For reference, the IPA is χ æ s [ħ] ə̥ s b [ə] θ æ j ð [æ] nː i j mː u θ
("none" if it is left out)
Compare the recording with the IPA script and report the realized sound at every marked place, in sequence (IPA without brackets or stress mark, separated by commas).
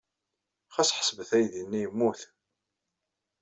ħ, ə, i